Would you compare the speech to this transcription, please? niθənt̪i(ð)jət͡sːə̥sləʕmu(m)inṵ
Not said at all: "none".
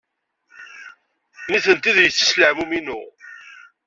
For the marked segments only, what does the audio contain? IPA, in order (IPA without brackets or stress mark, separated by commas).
ð, m